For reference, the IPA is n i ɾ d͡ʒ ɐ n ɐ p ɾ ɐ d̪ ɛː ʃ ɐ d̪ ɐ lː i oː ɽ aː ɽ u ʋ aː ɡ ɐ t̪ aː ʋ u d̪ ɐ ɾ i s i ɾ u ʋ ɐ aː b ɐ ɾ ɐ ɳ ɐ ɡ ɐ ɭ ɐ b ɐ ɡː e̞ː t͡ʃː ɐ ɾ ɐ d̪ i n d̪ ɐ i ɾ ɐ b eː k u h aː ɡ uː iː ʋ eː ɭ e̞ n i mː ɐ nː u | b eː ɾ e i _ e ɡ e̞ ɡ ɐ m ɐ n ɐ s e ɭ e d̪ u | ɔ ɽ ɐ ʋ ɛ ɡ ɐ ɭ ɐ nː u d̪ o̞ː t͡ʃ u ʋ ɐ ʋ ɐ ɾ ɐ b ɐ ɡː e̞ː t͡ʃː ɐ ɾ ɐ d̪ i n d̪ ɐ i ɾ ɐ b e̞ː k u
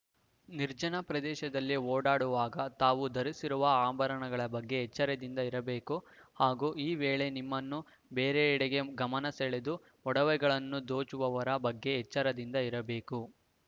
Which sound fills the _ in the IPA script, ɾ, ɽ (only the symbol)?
ɽ